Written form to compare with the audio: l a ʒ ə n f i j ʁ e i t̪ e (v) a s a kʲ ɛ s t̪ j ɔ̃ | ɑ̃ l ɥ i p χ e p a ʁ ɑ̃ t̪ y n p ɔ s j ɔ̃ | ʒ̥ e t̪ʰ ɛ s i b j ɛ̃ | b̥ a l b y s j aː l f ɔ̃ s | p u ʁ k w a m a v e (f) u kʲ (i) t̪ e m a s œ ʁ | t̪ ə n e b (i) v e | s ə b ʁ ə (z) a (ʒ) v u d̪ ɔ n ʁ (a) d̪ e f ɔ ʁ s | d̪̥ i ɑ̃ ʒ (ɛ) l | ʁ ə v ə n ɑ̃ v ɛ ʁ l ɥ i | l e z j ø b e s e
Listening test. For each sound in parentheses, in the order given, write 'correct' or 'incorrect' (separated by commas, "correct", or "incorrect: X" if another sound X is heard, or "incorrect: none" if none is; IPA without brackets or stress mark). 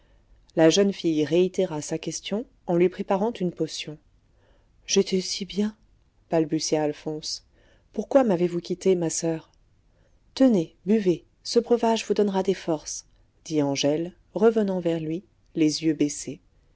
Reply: incorrect: ʁ, incorrect: v, correct, incorrect: y, incorrect: v, correct, correct, correct